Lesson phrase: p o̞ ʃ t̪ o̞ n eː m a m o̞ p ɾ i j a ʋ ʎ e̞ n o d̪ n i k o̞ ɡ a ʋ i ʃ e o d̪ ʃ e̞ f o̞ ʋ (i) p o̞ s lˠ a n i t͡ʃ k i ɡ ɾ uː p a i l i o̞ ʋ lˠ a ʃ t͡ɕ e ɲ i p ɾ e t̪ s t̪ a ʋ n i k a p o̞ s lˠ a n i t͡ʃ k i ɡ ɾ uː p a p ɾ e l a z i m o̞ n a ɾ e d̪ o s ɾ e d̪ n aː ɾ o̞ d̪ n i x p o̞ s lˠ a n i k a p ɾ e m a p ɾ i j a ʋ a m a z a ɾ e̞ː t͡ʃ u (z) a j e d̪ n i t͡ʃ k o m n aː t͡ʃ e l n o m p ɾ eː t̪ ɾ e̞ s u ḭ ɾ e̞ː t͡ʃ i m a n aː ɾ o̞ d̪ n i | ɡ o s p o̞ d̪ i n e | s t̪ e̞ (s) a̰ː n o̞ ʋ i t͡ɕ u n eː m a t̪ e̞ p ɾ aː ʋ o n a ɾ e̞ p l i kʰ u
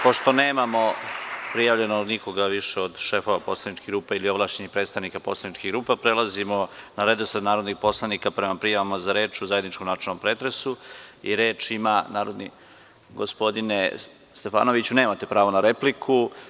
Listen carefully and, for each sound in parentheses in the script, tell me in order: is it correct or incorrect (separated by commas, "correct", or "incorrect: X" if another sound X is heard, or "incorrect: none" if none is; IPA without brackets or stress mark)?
incorrect: a, correct, incorrect: f